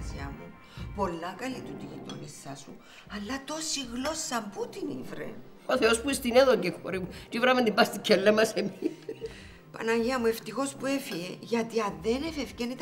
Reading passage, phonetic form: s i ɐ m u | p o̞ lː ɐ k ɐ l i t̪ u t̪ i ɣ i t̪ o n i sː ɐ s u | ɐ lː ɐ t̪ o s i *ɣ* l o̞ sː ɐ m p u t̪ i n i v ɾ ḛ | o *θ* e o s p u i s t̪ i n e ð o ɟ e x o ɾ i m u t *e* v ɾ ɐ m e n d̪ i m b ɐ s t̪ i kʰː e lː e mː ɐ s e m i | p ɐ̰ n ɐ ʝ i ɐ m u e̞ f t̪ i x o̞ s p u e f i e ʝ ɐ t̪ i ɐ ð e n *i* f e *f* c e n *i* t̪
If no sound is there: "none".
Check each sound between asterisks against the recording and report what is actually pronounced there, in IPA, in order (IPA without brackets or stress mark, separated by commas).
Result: ɣ, θ, i, e, f, i